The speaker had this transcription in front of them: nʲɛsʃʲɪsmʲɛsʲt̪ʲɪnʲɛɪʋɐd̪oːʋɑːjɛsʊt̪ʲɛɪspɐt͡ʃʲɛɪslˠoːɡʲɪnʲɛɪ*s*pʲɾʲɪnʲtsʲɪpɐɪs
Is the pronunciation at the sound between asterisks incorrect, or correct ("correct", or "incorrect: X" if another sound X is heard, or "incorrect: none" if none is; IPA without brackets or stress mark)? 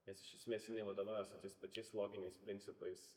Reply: correct